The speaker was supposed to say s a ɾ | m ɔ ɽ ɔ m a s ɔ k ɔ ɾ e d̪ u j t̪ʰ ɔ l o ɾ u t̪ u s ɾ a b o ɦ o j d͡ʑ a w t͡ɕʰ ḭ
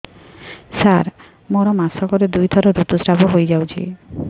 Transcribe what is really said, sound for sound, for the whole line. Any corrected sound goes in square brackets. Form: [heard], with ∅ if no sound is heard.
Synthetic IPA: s a ɾ | m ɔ [ɾ] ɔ m a s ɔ k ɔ ɾ e d̪ u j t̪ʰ ɔ [ɾ] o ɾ u t̪ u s ɾ a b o ɦ o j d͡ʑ a w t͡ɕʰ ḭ